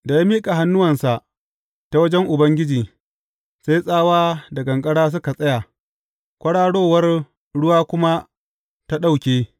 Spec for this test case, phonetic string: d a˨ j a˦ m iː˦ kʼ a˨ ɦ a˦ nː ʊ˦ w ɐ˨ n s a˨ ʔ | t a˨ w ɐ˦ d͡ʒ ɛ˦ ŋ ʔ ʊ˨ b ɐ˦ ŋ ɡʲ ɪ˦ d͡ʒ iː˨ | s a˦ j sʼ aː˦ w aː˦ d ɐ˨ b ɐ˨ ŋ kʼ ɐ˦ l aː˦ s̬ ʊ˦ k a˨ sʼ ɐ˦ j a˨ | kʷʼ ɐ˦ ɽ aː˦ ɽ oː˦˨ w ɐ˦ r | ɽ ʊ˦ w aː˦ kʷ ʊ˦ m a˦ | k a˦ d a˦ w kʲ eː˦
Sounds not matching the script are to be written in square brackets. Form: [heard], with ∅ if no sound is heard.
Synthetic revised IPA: d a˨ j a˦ m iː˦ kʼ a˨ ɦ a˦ nː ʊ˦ w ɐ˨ n s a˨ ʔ | t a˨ w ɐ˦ d͡ʒ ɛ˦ ŋ ʔ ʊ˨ b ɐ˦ ŋ ɡʲ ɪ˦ d͡ʒ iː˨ | s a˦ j sʼ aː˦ w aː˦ d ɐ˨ [ɡ] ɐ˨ ŋ kʼ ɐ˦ [ɽ] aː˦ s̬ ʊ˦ k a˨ sʼ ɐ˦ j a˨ | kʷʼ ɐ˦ ɽ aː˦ ɽ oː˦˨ w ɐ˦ r | ɽ ʊ˦ w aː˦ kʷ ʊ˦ m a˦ | [t] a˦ [ɗ] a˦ w kʲ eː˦